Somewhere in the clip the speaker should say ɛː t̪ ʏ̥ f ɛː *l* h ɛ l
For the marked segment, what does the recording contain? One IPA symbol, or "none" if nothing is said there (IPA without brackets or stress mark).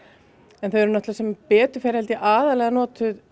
ɾ